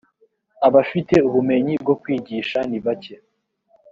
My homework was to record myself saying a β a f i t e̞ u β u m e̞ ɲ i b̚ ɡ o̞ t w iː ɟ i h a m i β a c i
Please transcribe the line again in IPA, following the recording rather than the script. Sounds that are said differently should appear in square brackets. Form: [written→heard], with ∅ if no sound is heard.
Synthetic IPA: a β a f i t e̞ u β u m e̞ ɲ i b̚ ɡ o̞ [t→k] w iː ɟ i [h→ʃ] a [m→n] i β a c [i→e]

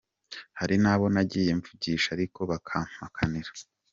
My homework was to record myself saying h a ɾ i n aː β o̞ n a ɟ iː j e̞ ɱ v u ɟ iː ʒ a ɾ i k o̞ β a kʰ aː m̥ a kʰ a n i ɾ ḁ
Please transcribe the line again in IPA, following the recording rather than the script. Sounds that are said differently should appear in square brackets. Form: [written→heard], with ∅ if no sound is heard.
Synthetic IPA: h a ɾ i n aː β o̞ n a ɟ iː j e̞ ɱ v u ɟ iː [ʒ→ʃ] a ɾ i k o̞ β a kʰ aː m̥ a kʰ a n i ɾ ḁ

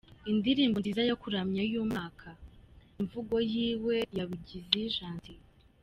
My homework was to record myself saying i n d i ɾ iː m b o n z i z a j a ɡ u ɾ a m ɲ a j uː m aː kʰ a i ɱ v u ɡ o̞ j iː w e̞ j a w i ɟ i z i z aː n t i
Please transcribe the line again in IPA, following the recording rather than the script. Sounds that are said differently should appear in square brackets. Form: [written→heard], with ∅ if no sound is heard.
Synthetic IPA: i n d i ɾ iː m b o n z i z a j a [ɡ→k] u ɾ a m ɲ a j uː m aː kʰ a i ɱ v u ɡ o̞ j iː w e̞ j a [w→β] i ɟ i z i [z→ʒ] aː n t i

